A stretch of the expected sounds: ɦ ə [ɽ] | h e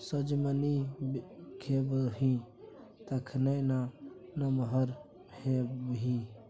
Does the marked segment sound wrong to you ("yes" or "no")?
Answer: yes